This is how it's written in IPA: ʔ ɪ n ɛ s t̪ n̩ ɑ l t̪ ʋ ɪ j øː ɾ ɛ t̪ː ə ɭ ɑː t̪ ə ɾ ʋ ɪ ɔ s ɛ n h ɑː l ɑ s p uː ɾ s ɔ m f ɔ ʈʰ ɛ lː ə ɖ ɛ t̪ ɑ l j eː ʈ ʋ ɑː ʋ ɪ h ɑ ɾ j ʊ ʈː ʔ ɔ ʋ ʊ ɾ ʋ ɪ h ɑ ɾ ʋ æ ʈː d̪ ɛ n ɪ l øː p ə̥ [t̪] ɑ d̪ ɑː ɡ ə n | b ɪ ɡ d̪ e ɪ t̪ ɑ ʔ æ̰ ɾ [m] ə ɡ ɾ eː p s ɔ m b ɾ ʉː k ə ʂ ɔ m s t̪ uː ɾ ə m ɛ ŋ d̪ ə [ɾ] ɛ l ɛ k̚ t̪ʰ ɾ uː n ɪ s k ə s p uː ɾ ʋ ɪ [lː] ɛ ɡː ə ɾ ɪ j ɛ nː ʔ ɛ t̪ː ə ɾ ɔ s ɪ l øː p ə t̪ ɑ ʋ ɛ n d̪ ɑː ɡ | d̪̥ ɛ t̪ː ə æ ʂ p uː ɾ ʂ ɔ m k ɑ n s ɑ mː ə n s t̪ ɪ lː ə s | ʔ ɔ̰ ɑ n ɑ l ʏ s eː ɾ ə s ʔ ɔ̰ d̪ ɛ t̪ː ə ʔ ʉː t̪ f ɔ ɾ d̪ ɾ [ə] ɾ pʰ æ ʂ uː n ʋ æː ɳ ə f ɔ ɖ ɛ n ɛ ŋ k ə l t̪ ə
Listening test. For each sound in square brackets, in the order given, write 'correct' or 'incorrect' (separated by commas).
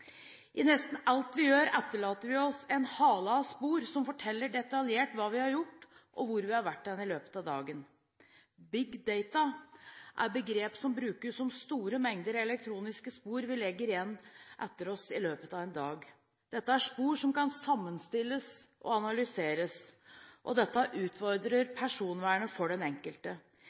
correct, incorrect, correct, incorrect, correct